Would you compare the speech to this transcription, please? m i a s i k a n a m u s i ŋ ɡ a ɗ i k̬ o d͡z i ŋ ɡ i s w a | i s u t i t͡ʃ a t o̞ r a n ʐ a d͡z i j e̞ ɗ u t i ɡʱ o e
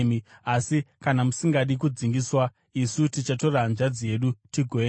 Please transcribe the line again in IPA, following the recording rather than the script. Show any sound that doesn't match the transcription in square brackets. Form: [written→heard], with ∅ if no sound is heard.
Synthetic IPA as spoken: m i a s i k a n a m u s i ŋ ɡ a ɗ i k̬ [o→u] d͡z i ŋ ɡ i s w a | i s u t i t͡ʃ a t o̞ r a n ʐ a d͡z i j e̞ ɗ u t i ɡʱ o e